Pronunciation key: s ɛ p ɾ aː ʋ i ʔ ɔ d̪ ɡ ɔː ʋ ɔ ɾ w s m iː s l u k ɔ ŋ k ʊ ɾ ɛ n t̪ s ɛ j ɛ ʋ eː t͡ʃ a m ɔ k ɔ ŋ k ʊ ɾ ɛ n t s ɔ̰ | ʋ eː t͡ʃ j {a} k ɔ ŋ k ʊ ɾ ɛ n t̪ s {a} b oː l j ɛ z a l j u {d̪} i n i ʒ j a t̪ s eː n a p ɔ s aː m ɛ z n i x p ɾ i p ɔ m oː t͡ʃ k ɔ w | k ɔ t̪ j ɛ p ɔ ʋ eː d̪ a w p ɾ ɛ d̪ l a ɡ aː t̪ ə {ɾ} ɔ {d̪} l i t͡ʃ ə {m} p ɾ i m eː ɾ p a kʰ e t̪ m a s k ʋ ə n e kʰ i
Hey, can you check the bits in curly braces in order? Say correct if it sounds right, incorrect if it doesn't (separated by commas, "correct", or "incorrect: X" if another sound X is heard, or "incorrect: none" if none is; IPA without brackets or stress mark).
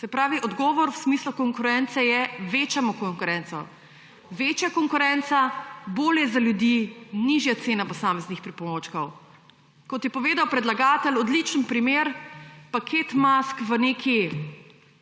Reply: correct, correct, correct, incorrect: l, correct, incorrect: n